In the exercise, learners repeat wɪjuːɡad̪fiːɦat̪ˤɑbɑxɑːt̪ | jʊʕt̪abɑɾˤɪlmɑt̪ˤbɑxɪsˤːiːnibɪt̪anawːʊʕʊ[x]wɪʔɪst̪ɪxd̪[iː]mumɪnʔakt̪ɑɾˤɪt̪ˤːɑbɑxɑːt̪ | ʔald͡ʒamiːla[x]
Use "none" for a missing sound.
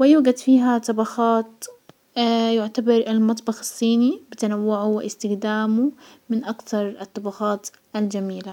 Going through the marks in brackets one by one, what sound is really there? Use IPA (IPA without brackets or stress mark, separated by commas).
none, aː, none